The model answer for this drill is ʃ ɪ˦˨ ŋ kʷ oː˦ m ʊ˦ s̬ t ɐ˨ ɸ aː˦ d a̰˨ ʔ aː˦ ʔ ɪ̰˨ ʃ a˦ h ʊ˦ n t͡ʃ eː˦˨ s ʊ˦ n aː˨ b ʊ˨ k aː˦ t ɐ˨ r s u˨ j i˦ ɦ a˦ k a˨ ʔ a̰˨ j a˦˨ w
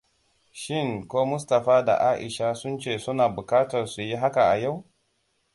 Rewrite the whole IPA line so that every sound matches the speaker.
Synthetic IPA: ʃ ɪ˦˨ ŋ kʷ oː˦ m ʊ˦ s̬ t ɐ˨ ɸ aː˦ d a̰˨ ʔ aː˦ ʔ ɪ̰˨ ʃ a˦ s ʊ˦ n t͡ʃ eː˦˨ s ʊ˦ n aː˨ b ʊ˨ k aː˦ t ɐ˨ r s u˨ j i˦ ɦ a˦ k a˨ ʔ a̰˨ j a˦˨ w